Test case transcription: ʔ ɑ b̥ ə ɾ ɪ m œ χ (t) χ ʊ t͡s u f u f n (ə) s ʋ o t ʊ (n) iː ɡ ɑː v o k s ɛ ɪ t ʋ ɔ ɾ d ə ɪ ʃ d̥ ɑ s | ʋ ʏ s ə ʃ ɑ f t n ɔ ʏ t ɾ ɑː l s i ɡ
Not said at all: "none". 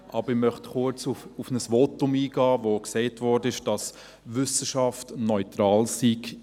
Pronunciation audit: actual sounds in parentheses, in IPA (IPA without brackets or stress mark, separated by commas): t, ə, m